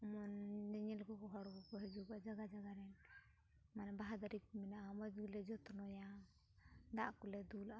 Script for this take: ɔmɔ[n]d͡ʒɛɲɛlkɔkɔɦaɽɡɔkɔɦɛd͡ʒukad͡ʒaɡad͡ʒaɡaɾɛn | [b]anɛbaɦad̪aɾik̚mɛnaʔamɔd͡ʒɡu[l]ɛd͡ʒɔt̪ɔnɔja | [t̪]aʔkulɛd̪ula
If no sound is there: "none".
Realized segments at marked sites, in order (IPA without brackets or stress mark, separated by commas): n, m, l, d̪